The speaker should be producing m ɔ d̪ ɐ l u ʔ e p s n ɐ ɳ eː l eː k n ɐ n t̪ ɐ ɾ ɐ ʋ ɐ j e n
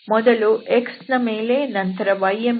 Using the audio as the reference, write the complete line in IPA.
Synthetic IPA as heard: m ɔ d̪ ɐ l u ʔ e k s n ɐ m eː l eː n ɐ n t̪ ɐ ɾ ɐ ʋ ɐ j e m